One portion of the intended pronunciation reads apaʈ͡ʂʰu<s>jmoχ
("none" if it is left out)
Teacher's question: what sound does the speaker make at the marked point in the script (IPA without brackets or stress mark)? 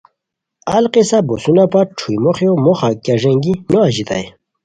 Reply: none